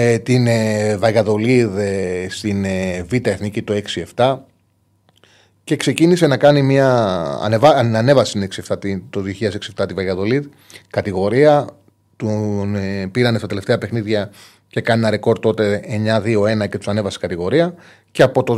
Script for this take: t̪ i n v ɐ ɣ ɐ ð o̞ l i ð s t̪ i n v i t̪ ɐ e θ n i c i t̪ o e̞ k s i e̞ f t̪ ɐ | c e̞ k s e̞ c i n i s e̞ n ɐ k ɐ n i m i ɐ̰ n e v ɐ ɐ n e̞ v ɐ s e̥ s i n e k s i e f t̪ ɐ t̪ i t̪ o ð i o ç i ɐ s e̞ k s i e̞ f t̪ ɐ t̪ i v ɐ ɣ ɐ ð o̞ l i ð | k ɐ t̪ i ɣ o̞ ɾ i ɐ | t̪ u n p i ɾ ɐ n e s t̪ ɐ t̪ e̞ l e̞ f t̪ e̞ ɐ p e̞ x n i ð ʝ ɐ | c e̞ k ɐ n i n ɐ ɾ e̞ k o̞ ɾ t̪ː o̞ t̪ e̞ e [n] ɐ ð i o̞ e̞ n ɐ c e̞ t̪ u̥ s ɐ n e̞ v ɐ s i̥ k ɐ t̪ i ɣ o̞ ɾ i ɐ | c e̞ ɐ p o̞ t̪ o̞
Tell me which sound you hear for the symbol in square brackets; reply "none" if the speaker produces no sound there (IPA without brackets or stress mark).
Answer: ɲ